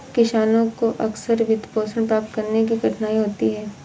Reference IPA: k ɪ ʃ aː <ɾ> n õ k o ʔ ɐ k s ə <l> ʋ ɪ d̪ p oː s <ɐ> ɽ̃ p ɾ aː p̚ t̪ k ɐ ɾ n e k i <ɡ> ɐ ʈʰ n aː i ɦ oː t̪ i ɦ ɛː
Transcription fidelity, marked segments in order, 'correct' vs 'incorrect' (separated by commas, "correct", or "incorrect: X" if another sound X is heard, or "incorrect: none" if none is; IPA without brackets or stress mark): incorrect: none, incorrect: ɾ, incorrect: ə, correct